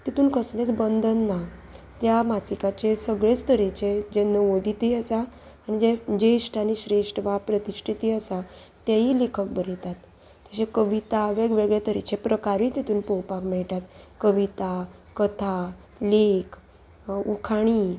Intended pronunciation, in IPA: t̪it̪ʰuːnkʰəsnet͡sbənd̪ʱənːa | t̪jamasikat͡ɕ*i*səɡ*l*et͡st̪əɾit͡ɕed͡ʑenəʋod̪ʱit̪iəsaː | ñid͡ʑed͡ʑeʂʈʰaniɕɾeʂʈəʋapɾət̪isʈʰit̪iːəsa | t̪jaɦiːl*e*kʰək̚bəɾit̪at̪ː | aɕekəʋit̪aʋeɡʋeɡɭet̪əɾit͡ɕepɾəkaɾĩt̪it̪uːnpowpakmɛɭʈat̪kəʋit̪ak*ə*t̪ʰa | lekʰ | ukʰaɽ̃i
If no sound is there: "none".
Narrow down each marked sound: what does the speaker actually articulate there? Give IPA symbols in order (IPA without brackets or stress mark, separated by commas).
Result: e, ɭ, e, ə